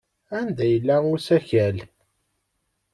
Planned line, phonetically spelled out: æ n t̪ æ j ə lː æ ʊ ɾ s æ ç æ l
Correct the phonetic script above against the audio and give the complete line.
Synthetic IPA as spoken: æ n d̪ æ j ə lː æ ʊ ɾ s æ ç æ l